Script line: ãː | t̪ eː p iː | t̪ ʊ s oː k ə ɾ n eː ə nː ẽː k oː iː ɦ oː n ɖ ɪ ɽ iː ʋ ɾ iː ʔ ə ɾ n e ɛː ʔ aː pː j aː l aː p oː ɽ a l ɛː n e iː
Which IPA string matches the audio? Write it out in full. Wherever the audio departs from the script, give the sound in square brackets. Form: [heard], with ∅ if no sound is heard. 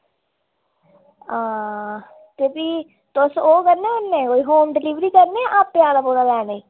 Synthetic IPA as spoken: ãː | t̪ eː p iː | t̪ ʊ s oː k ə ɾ n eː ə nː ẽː k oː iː ɦ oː [m] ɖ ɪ [l] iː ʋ ɾ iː [k] ə ɾ n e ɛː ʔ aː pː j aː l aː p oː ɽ a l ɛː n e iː